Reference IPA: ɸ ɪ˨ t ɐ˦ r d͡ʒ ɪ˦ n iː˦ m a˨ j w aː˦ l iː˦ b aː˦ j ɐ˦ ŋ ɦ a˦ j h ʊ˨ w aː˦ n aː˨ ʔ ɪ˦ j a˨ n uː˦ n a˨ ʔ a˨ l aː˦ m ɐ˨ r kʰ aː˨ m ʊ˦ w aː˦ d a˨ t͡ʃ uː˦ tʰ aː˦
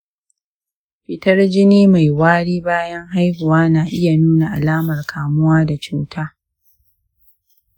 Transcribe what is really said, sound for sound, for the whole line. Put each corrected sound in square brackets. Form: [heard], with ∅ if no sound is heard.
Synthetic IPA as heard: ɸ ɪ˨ t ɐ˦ r d͡ʒ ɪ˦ n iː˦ m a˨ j w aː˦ [ɽ] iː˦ b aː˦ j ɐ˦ ŋ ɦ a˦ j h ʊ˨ w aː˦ n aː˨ ʔ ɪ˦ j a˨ n uː˦ n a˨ ʔ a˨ l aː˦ m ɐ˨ r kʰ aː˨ m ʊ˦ w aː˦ d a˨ t͡ʃ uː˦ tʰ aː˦